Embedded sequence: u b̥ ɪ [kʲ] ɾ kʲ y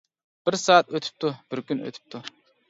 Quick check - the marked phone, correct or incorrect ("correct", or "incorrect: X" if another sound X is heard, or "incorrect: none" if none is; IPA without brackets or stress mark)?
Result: incorrect: none